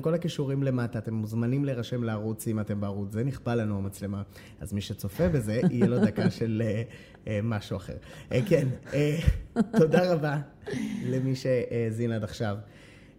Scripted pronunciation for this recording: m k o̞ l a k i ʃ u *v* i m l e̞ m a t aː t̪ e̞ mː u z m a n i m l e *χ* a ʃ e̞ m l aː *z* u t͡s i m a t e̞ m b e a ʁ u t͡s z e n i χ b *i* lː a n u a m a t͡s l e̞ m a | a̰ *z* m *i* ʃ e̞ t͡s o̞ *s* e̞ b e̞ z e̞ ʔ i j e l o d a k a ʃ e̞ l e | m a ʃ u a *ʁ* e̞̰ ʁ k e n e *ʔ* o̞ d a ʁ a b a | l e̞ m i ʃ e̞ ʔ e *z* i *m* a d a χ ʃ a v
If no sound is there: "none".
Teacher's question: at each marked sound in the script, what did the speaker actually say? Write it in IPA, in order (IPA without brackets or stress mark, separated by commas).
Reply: ʁ, ʁ, ʁ, a, z, i, f, χ, t, z, n